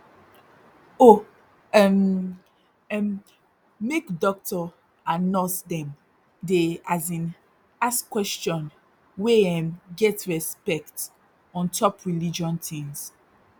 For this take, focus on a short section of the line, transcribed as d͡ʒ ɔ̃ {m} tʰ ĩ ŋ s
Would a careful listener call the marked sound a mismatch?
yes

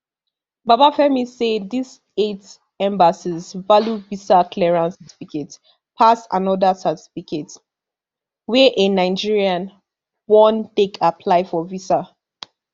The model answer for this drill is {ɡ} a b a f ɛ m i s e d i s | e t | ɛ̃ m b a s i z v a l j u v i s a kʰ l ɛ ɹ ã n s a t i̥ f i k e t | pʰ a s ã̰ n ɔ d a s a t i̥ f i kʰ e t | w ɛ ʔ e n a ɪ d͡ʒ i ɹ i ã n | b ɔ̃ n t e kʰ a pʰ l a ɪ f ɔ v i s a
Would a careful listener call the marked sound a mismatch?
yes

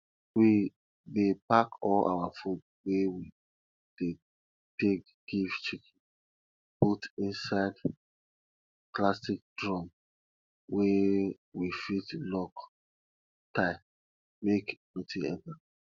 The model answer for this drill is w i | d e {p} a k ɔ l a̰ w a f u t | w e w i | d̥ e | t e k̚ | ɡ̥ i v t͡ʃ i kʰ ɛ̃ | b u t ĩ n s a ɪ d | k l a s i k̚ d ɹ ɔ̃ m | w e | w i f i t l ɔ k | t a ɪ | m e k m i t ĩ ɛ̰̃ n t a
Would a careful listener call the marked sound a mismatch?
no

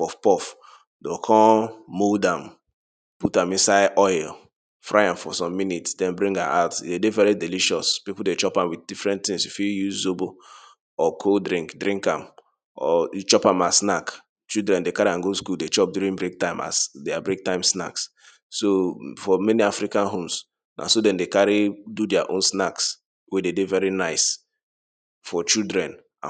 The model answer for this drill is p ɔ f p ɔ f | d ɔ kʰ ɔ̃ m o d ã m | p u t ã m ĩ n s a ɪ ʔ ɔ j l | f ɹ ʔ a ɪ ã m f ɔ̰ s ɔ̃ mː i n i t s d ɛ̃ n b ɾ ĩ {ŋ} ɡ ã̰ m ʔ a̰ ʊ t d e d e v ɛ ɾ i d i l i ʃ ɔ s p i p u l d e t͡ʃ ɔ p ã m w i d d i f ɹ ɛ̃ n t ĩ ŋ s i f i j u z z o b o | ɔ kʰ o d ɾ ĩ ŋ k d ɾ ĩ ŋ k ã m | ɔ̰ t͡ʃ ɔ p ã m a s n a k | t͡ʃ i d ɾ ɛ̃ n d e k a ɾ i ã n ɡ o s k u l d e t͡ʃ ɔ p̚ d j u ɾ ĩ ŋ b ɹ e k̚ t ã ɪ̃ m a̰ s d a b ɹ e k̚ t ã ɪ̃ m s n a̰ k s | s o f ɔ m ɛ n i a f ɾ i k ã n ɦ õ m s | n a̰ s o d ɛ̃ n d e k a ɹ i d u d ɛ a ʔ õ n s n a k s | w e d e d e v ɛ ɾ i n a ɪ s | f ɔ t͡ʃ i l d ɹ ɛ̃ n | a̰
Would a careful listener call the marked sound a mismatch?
no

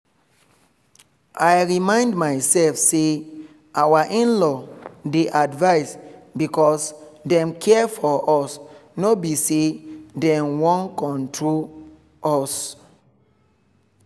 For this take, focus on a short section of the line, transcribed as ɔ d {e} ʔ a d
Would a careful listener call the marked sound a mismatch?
no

